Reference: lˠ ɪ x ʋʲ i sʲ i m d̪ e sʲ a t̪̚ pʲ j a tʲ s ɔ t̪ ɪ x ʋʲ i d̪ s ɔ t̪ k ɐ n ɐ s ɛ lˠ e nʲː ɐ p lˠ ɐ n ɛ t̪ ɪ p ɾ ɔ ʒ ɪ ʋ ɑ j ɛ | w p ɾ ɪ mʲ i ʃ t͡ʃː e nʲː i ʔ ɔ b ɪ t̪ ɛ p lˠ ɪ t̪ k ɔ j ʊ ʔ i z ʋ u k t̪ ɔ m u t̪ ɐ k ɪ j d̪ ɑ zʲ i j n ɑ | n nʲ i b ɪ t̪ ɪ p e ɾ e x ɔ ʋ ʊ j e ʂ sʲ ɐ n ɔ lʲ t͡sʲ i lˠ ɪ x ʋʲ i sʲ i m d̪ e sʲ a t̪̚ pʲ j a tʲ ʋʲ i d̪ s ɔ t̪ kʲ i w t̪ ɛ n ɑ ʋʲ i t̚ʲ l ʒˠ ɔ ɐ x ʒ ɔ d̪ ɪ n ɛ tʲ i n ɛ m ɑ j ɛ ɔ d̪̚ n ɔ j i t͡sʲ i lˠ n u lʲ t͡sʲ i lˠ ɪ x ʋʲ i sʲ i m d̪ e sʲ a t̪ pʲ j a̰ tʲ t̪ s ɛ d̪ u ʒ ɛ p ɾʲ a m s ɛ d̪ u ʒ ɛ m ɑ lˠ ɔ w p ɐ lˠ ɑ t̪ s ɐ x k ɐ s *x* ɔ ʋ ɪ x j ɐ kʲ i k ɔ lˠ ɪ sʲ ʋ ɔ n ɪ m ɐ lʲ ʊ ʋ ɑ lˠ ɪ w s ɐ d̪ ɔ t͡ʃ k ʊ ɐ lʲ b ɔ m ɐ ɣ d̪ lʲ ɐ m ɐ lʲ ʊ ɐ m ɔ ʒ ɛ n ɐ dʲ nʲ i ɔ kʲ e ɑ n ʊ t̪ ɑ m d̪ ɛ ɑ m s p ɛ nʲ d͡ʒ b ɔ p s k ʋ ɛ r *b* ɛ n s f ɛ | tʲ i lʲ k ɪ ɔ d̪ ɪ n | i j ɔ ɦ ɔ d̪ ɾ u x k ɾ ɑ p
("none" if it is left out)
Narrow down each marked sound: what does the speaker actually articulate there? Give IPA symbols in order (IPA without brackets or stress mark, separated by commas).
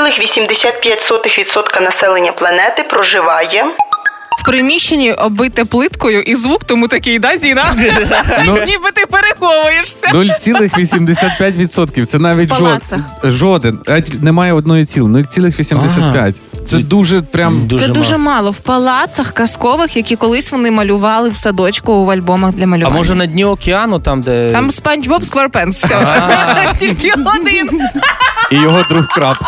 k, p